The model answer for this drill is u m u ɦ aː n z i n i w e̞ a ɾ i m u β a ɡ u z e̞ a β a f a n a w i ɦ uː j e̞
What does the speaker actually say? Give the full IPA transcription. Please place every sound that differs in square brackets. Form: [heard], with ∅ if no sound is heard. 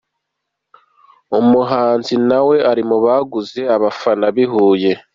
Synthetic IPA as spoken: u m u ɦ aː n z i n [a] w e̞ a ɾ i m u β a ɡ u z e̞ a β a f a n a [β] i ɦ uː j e̞